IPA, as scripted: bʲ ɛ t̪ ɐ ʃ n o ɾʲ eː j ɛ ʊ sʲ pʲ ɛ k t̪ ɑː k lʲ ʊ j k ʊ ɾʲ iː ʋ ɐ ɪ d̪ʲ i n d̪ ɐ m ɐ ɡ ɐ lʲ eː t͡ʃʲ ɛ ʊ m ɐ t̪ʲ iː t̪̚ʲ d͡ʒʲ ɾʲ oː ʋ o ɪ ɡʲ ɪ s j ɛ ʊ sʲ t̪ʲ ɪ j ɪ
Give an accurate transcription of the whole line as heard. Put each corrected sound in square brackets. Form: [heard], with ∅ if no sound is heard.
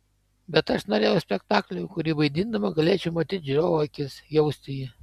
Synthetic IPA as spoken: bʲ ɛ t̪ ɐ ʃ n o ɾʲ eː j ɛ ʊ sʲ pʲ ɛ k t̪ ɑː k lʲ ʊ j k ʊ ɾʲ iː ʋ ɐ ɪ d̪ʲ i n d̪ ɐ m ɐ ɡ ɐ lʲ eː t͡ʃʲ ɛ ʊ m ɐ t̪ʲ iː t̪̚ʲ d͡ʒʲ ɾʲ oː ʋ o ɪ [kʲ] ɪ s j ɛ ʊ sʲ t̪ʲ ɪ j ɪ